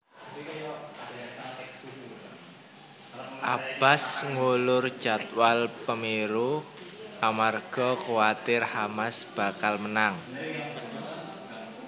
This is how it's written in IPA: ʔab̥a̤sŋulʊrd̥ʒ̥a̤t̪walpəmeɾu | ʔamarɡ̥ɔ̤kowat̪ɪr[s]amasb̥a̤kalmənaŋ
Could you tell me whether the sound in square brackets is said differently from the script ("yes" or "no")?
yes